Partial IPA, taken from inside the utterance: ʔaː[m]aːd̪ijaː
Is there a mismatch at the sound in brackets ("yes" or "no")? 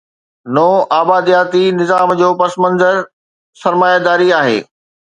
yes